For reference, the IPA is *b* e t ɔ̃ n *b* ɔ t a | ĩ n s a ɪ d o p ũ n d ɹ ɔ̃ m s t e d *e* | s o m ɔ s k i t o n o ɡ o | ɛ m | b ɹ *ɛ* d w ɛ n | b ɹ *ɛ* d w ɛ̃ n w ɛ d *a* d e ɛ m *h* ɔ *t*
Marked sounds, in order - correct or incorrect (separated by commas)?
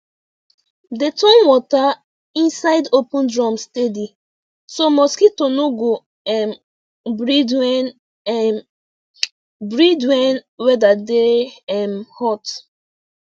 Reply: incorrect, incorrect, incorrect, incorrect, incorrect, correct, correct, correct